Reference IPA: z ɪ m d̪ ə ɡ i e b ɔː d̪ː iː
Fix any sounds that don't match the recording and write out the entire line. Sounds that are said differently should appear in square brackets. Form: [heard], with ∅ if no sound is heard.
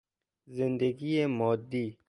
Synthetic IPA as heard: z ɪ [n] d̪ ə ɡ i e [m] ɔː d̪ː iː